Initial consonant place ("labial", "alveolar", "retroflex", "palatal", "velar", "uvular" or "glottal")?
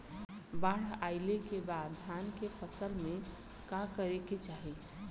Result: labial